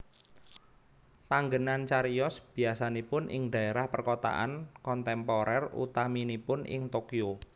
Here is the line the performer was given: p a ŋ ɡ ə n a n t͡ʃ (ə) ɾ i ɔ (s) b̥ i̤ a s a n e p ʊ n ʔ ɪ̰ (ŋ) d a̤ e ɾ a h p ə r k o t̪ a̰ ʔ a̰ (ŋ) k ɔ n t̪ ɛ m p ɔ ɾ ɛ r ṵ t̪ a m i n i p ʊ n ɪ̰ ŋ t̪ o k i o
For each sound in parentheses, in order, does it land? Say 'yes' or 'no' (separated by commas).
no, yes, yes, no